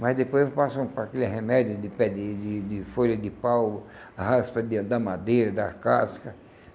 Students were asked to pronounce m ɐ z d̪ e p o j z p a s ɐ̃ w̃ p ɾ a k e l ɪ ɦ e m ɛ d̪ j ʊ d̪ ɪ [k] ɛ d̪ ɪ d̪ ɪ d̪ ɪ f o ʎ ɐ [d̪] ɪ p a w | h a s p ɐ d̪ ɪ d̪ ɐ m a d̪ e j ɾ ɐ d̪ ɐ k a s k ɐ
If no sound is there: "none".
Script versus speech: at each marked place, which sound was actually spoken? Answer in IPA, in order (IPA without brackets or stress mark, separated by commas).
p, d̪